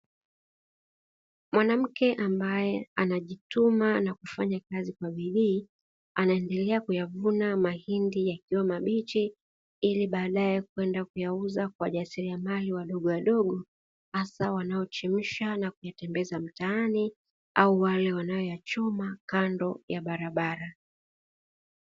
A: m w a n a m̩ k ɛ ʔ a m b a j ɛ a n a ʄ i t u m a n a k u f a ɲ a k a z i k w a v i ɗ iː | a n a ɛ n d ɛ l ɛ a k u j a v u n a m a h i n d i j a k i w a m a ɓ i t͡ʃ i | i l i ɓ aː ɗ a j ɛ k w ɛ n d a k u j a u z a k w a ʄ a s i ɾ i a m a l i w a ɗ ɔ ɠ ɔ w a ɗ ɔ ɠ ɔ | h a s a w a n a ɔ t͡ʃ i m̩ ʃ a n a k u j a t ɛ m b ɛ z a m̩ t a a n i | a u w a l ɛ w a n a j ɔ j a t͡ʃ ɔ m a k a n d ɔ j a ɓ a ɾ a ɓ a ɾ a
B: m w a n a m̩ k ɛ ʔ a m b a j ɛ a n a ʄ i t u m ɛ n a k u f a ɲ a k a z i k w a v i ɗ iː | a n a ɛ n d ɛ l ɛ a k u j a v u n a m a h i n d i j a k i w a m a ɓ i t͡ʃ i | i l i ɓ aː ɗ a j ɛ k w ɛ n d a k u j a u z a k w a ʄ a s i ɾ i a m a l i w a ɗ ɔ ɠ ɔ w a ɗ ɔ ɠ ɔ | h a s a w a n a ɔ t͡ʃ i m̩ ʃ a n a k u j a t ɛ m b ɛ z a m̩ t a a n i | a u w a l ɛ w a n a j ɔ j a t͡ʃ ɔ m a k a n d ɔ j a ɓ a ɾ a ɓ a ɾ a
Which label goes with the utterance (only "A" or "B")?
A